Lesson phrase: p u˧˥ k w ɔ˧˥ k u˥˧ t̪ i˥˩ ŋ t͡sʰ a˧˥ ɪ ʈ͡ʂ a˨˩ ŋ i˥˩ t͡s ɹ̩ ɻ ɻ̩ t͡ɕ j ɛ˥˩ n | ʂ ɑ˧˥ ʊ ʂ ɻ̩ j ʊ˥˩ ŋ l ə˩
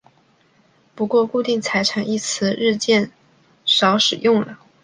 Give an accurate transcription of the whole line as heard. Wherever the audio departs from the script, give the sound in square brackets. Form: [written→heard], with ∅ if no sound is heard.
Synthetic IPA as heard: p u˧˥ k w [ɔ˧˥→ɔ˥˧] k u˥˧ t̪ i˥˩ ŋ t͡sʰ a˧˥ ɪ [ʈ͡ʂ→ʈ͡ʂʰ] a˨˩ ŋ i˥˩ [t͡s→t͡sʰ] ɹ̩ ɻ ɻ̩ t͡ɕ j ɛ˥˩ n | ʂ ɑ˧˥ ʊ ʂ ɻ̩ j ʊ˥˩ ŋ l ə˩